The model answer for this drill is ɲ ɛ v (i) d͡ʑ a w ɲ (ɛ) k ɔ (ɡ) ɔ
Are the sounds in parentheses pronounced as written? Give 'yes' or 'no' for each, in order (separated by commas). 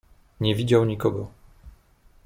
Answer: yes, no, yes